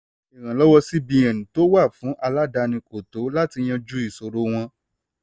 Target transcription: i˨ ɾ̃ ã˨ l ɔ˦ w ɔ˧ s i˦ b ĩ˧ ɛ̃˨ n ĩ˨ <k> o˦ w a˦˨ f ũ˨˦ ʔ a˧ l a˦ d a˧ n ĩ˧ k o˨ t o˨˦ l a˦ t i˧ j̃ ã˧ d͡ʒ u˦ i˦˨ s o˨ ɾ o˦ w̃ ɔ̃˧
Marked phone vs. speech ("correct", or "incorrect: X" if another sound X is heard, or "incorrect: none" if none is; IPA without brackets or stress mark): incorrect: t